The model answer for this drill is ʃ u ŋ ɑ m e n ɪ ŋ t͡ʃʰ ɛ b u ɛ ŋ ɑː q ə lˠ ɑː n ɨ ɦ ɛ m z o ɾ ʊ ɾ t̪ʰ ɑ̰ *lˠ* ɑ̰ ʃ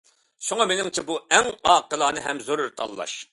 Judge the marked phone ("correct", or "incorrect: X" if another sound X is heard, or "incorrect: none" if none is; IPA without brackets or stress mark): incorrect: lˠː